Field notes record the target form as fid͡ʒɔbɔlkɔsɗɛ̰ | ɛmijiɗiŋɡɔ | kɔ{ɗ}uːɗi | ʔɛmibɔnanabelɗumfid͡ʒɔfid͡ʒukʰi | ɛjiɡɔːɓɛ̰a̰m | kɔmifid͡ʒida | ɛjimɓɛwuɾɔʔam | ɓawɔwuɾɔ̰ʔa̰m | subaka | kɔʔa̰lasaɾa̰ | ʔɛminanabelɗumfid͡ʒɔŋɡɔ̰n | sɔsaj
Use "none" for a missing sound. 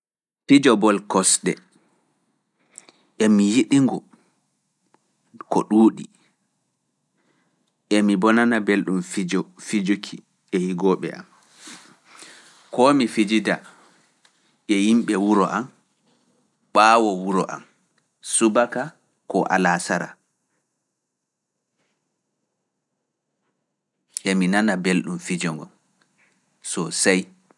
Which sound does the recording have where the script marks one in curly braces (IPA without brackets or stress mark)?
ɗ